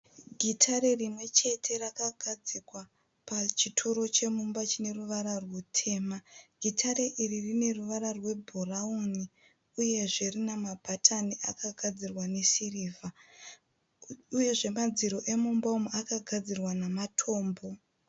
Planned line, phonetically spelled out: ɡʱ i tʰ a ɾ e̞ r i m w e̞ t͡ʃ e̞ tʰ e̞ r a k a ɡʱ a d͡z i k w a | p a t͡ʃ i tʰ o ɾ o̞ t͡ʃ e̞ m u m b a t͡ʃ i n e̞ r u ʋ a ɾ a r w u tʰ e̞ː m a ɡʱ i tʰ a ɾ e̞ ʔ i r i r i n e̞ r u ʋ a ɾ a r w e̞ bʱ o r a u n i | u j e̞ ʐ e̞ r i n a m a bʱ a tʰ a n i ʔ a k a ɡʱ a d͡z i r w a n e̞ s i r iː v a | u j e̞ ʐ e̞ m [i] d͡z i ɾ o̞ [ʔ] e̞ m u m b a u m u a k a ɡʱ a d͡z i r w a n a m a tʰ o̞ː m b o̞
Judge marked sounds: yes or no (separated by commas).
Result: no, yes